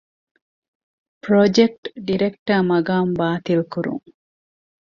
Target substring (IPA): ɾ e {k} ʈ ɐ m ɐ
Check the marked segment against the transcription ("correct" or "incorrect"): correct